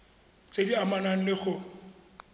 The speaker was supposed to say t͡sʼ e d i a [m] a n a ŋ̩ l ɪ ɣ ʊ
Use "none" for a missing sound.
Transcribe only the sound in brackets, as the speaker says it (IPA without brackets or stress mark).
m